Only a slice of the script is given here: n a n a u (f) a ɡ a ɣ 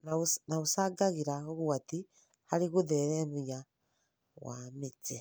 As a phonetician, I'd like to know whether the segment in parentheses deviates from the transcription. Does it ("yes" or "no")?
yes